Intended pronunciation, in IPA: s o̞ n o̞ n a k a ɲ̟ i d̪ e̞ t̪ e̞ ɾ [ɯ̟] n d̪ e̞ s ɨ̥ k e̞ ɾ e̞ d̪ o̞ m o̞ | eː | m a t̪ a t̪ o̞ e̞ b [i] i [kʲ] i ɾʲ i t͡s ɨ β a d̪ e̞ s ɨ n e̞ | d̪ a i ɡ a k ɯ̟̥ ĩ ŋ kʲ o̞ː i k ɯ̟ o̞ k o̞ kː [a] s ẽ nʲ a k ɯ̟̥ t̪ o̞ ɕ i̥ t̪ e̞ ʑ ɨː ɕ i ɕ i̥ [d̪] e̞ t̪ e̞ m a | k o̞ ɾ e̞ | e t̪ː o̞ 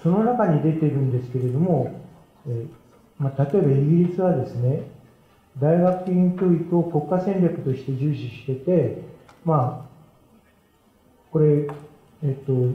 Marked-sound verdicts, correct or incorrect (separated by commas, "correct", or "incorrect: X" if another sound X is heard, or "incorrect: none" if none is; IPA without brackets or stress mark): incorrect: ɯ̟̃, incorrect: a, incorrect: ɡʲ, correct, incorrect: t̪